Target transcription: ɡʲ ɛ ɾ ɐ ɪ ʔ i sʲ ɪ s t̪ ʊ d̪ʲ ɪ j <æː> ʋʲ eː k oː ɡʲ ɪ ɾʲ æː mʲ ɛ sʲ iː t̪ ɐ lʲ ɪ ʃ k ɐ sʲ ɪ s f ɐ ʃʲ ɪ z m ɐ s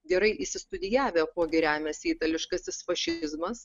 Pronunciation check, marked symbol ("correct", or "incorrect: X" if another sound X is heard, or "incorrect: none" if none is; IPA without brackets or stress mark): correct